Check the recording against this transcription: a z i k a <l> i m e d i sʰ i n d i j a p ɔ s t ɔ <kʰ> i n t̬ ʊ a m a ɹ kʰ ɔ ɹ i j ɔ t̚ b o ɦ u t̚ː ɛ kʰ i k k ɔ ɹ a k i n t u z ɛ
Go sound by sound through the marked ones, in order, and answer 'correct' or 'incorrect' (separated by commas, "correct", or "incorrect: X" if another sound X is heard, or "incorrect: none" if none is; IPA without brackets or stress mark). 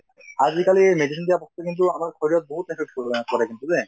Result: correct, incorrect: k